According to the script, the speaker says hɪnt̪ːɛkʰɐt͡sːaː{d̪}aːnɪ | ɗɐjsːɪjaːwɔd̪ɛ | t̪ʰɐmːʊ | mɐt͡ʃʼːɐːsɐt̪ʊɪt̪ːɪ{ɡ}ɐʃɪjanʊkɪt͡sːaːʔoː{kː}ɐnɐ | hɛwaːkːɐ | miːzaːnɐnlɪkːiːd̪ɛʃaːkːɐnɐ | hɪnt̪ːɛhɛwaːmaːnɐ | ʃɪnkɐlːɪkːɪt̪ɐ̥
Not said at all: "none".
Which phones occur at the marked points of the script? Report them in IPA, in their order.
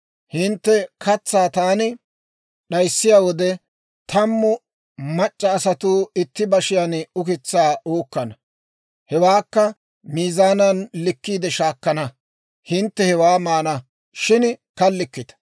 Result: t̪, b, kː

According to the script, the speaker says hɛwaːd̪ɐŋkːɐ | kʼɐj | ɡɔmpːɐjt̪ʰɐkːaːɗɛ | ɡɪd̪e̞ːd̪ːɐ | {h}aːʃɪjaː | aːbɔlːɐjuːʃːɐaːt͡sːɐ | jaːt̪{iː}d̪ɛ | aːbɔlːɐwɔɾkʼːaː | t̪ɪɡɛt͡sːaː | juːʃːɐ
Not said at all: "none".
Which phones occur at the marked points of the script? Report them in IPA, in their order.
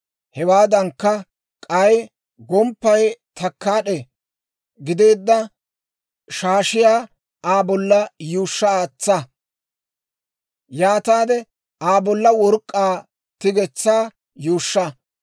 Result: ʃ, aː

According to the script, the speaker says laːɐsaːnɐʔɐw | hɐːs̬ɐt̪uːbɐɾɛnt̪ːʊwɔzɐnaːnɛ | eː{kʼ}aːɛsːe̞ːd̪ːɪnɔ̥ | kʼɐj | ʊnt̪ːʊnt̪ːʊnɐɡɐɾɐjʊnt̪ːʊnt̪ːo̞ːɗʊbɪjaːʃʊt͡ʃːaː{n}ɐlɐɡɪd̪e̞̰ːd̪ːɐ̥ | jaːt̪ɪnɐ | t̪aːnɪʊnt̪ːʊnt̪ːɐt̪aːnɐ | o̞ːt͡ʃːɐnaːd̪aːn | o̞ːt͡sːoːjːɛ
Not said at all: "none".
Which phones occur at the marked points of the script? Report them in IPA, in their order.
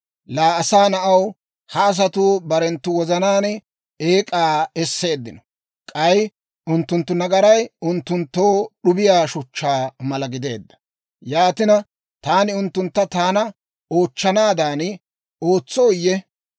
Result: kʼ, m

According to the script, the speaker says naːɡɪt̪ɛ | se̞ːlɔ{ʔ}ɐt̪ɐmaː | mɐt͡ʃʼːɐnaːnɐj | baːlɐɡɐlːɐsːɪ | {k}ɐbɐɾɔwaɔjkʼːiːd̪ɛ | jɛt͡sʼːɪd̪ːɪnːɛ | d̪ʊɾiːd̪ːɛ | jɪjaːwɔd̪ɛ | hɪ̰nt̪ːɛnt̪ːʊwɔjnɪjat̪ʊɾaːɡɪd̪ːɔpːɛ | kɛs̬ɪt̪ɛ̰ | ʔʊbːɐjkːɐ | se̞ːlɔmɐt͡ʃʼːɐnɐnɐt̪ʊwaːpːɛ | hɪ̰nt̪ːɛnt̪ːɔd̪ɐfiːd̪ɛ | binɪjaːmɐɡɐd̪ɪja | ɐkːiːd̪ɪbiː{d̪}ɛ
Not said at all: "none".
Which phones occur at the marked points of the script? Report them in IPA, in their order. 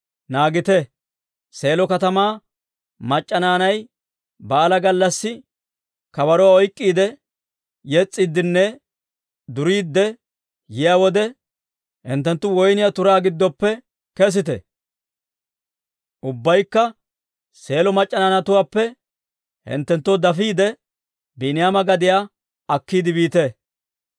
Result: k, k, t̪

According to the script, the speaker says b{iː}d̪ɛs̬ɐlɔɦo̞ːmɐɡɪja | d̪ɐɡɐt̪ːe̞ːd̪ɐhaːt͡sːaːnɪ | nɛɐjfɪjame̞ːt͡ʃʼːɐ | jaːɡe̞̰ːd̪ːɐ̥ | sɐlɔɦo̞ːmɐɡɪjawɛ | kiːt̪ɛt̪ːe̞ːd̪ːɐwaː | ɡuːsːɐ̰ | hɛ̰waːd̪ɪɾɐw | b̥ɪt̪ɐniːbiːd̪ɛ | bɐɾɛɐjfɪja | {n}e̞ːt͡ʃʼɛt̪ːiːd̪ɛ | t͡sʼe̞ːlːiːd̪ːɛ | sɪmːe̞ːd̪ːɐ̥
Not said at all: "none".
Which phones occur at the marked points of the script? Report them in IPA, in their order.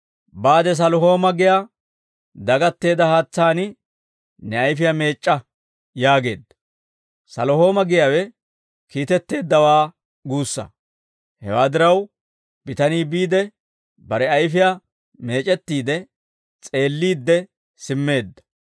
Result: aː, m

